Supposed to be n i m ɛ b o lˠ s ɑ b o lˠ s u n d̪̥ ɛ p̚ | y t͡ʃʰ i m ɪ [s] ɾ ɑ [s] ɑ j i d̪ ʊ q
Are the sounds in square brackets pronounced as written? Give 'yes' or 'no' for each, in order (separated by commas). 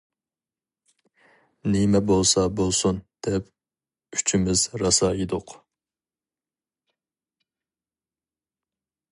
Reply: no, yes